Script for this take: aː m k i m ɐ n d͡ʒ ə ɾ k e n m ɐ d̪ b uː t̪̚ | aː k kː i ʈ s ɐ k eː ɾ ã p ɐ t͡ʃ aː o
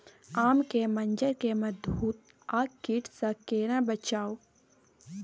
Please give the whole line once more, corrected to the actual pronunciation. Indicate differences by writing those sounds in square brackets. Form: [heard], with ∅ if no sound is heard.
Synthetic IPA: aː m k [e] m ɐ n d͡ʒ ə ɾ k e [∅] m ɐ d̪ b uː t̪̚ | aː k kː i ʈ s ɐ k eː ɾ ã [b] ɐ t͡ʃ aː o